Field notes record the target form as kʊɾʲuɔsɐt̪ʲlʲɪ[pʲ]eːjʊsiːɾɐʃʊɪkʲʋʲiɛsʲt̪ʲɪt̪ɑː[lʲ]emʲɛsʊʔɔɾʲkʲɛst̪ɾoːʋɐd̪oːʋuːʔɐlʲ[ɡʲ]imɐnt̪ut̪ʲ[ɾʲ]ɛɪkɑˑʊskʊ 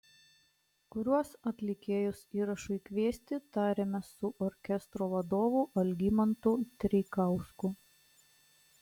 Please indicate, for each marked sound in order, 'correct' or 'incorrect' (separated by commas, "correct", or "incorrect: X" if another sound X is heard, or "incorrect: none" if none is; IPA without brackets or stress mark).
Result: incorrect: kʲ, incorrect: ɾʲ, correct, correct